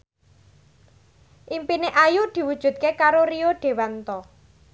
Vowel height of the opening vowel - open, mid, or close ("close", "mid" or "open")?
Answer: close